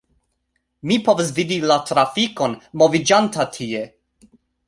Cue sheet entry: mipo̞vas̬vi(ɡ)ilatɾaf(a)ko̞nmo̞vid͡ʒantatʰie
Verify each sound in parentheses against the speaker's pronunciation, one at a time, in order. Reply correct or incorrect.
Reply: incorrect: d, incorrect: i

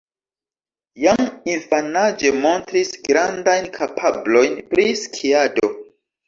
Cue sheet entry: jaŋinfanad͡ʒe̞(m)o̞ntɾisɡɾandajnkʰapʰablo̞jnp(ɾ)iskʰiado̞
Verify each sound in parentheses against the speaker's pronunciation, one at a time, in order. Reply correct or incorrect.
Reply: correct, correct

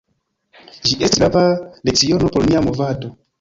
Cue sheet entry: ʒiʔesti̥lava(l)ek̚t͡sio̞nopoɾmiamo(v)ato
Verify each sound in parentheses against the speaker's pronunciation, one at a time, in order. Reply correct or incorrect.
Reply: correct, correct

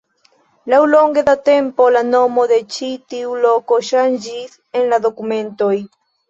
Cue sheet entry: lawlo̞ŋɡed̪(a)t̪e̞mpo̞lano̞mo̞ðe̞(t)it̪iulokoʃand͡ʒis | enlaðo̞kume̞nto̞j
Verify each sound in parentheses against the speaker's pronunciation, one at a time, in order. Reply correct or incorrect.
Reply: correct, incorrect: t͡ʃ

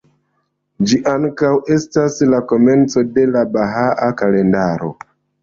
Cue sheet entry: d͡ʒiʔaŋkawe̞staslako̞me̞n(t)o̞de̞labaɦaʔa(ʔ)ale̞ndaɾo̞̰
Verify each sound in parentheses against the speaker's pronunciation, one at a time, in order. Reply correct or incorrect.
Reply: incorrect: t͡s, incorrect: k

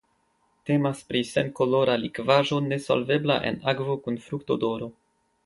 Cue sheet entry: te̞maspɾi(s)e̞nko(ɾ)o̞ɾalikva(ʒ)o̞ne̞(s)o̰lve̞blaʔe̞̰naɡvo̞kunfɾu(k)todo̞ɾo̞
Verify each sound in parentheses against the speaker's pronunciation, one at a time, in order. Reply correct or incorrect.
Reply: correct, incorrect: l, correct, correct, correct

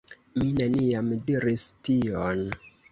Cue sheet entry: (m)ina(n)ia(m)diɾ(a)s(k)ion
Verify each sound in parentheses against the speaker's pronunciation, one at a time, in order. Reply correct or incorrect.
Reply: correct, correct, correct, incorrect: i, incorrect: t

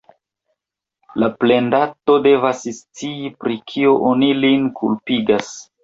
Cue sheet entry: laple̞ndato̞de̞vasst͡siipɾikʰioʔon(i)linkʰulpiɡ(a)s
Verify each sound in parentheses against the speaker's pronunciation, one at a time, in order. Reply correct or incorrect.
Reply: correct, correct

